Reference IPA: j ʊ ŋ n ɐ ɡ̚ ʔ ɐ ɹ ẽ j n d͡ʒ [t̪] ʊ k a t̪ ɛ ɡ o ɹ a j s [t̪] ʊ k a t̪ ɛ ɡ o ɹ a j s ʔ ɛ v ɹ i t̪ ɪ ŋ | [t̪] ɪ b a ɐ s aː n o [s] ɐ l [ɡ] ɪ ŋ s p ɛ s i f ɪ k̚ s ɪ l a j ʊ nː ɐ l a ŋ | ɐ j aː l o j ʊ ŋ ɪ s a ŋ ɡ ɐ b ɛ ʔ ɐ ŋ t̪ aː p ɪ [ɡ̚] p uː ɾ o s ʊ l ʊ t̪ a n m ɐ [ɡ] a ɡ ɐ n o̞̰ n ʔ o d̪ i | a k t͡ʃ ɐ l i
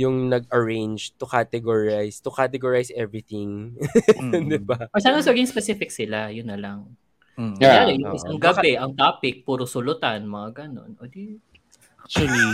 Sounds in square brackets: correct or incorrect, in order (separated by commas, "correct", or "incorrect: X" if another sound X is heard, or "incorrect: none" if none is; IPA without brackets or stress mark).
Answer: correct, correct, incorrect: d̪, correct, correct, incorrect: k̚, incorrect: ŋ